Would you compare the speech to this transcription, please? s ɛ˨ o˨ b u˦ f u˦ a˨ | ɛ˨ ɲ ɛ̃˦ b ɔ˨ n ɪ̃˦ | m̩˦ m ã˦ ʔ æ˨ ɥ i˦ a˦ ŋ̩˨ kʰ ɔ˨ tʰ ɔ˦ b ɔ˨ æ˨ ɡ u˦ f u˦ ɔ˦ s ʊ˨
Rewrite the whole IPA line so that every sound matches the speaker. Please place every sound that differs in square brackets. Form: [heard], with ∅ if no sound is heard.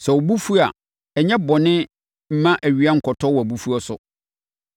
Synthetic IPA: s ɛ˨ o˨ b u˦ f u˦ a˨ | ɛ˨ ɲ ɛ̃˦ b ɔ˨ n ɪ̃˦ | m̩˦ m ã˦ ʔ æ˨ ɥ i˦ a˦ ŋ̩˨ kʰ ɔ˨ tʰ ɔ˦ [w] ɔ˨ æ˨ [b] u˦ f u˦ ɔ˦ s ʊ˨